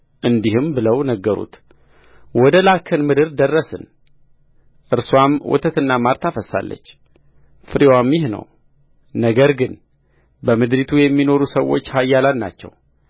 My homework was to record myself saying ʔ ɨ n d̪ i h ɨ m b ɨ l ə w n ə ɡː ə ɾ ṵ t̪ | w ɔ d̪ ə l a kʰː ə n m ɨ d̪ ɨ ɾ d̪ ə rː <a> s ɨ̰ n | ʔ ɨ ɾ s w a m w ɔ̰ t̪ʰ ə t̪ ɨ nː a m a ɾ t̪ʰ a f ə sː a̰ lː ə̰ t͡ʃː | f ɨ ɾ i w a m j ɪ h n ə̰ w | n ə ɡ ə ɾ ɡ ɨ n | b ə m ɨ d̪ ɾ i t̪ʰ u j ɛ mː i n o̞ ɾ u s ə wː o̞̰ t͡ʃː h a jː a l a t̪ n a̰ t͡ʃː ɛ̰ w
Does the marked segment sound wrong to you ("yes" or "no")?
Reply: yes